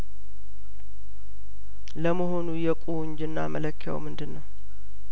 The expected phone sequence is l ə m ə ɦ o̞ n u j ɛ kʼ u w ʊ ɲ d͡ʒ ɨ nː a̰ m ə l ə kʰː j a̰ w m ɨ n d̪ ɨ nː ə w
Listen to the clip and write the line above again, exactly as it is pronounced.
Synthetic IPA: l ə m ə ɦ o̞ n u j ɛ kʼ u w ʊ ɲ d͡ʒ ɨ nː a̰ m ə l ə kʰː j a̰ w m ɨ n d̪ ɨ nː ə w